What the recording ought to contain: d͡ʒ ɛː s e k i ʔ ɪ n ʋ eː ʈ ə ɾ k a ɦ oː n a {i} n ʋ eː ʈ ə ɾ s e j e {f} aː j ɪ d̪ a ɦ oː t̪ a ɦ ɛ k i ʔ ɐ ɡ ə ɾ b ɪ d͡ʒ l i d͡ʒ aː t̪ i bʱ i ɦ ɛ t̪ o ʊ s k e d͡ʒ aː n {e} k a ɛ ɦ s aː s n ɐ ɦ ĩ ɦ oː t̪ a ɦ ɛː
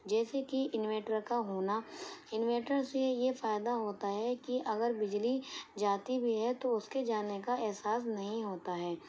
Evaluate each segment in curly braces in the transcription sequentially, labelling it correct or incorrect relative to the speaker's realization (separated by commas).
incorrect, correct, correct